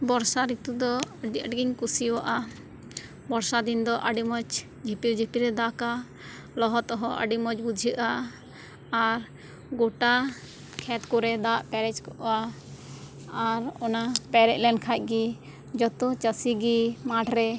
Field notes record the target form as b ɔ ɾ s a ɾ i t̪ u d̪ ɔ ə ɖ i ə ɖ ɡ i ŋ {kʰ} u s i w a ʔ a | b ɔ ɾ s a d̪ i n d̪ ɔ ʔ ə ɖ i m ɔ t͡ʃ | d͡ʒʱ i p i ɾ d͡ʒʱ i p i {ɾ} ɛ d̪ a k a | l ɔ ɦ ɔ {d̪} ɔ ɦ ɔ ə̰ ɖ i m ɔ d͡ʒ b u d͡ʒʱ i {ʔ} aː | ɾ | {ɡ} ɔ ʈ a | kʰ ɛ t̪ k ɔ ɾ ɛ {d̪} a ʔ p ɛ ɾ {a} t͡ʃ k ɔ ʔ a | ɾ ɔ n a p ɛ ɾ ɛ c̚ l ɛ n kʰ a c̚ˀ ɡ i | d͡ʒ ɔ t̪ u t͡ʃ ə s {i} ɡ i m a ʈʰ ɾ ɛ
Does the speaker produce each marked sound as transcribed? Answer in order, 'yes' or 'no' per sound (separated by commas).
no, yes, no, yes, yes, yes, no, yes